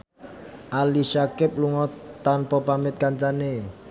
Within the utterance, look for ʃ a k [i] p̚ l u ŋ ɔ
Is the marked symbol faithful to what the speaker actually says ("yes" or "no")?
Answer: no